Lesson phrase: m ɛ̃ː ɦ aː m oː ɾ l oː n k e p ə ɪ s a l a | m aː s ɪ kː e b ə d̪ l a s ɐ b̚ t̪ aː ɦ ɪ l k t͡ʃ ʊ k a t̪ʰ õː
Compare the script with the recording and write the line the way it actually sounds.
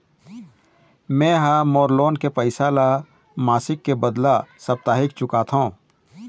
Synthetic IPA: m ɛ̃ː ɦ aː m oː ɾ l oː n k e p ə ɪ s a l a | m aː s ɪ kː e b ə d̪ l a s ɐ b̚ t̪ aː ɦ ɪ k t͡ʃ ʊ k a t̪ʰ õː